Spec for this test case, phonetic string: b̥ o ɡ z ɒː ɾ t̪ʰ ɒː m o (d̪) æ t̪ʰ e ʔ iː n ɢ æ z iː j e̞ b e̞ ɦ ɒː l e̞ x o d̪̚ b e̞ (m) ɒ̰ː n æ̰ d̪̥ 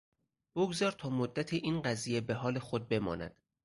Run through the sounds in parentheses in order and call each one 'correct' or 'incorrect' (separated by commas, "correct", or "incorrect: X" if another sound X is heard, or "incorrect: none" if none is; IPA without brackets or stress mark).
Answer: incorrect: d̪ː, correct